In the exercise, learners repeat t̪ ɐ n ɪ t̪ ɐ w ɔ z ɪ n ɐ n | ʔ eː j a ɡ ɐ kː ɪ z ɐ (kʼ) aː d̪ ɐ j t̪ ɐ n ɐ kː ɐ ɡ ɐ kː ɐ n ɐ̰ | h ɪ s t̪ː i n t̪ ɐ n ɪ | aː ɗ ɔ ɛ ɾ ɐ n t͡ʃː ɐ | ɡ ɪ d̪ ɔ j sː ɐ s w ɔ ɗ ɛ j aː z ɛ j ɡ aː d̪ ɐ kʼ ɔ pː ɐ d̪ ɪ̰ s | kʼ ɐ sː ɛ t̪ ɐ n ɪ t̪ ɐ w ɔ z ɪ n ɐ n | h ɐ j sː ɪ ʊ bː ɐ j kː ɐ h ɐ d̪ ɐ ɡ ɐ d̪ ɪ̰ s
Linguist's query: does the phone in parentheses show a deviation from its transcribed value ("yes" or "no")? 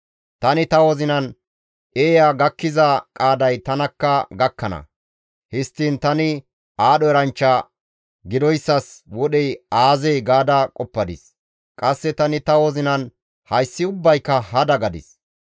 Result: no